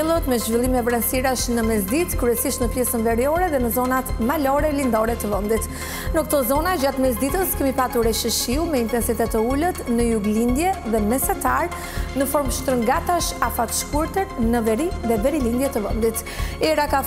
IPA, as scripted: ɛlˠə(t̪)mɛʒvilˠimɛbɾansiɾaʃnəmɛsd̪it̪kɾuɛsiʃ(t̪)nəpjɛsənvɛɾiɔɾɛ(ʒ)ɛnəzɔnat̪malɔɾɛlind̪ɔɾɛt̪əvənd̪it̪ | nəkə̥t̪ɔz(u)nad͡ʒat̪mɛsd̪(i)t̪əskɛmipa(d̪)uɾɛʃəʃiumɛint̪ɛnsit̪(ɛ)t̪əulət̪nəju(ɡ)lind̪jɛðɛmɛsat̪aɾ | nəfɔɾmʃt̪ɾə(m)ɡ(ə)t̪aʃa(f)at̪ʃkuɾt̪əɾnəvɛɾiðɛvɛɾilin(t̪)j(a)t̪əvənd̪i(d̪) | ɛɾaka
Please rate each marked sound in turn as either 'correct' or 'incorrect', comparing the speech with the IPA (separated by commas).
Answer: correct, correct, incorrect, incorrect, correct, incorrect, correct, correct, incorrect, incorrect, correct, incorrect, incorrect, incorrect